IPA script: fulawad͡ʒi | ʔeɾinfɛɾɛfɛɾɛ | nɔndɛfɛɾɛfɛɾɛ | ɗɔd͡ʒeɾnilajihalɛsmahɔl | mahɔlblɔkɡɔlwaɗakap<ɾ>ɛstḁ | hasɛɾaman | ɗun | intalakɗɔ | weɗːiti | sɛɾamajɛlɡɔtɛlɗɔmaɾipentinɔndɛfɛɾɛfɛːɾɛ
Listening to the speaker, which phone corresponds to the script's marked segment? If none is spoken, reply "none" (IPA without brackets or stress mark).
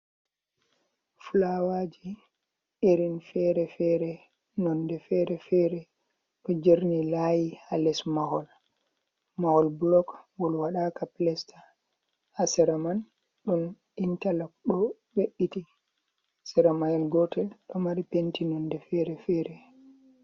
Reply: l